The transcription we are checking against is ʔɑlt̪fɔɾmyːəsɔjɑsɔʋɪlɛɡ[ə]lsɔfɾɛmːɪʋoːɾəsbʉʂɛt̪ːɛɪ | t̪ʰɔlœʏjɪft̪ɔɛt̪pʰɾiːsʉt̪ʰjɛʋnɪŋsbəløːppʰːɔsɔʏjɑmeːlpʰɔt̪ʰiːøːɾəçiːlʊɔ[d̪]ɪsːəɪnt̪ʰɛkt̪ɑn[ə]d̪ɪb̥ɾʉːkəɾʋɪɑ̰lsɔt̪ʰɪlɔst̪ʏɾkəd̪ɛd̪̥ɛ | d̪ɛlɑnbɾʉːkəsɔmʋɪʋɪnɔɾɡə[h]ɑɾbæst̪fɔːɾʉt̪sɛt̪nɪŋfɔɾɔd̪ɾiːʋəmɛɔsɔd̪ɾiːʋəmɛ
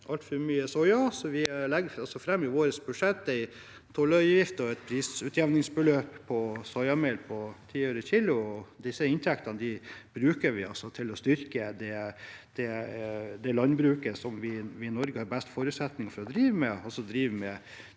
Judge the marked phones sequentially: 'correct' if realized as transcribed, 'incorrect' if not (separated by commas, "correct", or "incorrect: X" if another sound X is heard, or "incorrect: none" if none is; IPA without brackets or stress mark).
incorrect: ɑ, correct, correct, correct